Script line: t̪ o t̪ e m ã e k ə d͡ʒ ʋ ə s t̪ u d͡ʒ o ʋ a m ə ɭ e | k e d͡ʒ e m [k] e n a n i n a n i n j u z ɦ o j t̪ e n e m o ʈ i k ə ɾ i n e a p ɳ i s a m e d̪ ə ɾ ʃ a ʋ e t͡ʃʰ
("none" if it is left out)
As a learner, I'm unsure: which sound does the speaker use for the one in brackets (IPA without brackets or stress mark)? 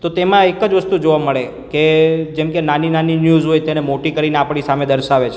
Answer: k